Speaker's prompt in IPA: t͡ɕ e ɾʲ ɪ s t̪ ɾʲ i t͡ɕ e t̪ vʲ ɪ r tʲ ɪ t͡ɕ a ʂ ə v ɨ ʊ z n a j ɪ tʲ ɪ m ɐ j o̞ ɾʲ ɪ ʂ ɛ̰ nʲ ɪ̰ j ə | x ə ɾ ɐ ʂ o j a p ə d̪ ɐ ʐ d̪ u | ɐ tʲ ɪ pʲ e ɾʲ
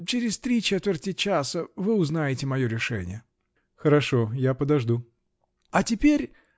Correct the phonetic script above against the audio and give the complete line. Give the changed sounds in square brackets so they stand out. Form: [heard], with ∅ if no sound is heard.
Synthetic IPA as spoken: t͡ɕ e ɾʲ ɪ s t̪ ɾʲ i t͡ɕ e t̪ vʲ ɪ r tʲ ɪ t͡ɕ a [s] ə v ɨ ʊ z n a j ɪ tʲ ɪ m ɐ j o̞ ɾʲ ɪ ʂ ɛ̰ nʲ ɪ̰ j ə | x ə ɾ ɐ ʂ o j a p ə d̪ ɐ ʐ d̪ u | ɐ tʲ ɪ pʲ e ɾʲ

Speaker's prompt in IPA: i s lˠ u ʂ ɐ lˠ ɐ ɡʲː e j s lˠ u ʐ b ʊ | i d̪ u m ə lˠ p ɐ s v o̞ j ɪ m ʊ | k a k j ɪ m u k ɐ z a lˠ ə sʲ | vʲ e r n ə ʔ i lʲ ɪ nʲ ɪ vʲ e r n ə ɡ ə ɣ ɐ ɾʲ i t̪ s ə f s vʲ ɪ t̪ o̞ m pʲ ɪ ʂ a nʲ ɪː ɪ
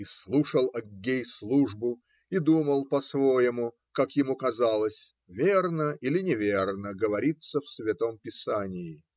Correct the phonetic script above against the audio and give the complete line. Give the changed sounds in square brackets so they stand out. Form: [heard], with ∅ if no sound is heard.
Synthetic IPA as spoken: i s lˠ u ʂ [ə] lˠ ɐ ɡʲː e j s lˠ u ʐ b ʊ | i d̪ u m ə lˠ p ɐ s v o̞ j ɪ m ʊ | k a k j ɪ m u k ɐ z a lˠ ə sʲ | vʲ e r n ə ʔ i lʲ ɪ nʲ ɪ vʲ e r n ə ɡ ə [v] ɐ ɾʲ i t̪ s ə f s vʲ ɪ t̪ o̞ m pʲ ɪ [s] a nʲ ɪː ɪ

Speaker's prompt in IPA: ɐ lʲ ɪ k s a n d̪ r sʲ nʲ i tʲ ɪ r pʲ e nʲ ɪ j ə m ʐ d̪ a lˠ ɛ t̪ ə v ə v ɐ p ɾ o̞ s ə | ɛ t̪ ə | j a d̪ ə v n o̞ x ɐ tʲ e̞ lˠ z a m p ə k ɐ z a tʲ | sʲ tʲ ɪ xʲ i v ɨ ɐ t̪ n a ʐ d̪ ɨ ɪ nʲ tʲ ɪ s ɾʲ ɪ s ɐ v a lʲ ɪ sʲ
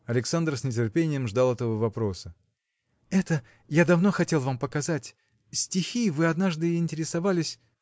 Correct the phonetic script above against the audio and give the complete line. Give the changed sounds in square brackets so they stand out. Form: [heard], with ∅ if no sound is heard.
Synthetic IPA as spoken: ɐ lʲ ɪ k s a n d̪ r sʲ nʲ [ɪ] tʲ ɪ r pʲ e nʲ ɪ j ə m ʐ d̪ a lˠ ɛ t̪ ə v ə v ɐ p ɾ o̞ s ə | ɛ t̪ ə | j a d̪ [ɐ] v n o̞ x ɐ tʲ e̞ lˠ [v] a m p ə k ɐ z a tʲ | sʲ tʲ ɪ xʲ i v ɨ ɐ [d̪] n a ʐ d̪ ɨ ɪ nʲ tʲ ɪ [∅] ɾʲ ɪ s ɐ v a lʲ ɪ sʲ

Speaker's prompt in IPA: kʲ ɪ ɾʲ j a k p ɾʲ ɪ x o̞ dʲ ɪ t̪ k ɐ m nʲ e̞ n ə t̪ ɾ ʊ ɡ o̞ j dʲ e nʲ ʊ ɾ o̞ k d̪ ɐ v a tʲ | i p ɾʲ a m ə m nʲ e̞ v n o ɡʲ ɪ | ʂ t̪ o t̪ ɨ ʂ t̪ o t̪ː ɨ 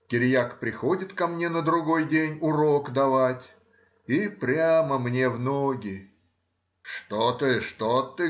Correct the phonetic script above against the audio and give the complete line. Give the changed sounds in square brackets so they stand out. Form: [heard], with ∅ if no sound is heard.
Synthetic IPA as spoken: kʲ ɪ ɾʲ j a k p ɾʲ ɪ x o̞ dʲ ɪ t̪ k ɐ m nʲ e̞ n ə [d̪] ɾ ʊ ɡ o̞ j dʲ e nʲ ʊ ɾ o̞ k d̪ ɐ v a tʲ | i p ɾʲ a m ə m nʲ e̞ v n o ɡʲ ɪ | ʂ t̪ o t̪ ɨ ʂ t̪ o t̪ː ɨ

